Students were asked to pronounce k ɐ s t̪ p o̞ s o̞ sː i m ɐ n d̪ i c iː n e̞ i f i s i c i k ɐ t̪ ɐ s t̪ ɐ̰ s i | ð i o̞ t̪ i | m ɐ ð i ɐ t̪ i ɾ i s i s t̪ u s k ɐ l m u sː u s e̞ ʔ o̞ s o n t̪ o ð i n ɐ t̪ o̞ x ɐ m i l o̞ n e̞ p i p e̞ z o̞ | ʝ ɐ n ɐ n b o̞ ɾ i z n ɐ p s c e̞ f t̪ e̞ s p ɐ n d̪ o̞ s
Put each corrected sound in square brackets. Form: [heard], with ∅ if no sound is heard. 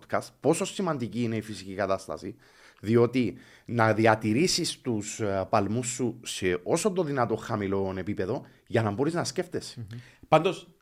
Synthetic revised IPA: k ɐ s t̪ p o̞ s o̞ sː i m ɐ n d̪ i c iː n e̞ i f i s i c i k ɐ t̪ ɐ s t̪ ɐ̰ s i | ð i o̞ t̪ i | [n] ɐ ð i ɐ t̪ i ɾ i s i s t̪ u s [p] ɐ l m u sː u s e̞ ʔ o̞ s o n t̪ o ð i n ɐ t̪ o̞ x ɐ m i l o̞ n e̞ p i p e̞ [ð] o̞ | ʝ ɐ n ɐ [m] b o̞ ɾ i z n ɐ [∅] s c e̞ f t̪ e̞ s p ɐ n d̪ o̞ s